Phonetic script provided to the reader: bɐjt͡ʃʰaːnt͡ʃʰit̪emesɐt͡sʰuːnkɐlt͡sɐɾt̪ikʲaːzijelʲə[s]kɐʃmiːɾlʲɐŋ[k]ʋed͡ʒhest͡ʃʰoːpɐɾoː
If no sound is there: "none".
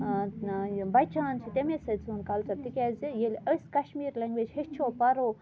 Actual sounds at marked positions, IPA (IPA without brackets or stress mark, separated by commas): s, ɡ